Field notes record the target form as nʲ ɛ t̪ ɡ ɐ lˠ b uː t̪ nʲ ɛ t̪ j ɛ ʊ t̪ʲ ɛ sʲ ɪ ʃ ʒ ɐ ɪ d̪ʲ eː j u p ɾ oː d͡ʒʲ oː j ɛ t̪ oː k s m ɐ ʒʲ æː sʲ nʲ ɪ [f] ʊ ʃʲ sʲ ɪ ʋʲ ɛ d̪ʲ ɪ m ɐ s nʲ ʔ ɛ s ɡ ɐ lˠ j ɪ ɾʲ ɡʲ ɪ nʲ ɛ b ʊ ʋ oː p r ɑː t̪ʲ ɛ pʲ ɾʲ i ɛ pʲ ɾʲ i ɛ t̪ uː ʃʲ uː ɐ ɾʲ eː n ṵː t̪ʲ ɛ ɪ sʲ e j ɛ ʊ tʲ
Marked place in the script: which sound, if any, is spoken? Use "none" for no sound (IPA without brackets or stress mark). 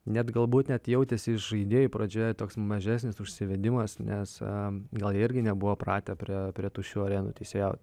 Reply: s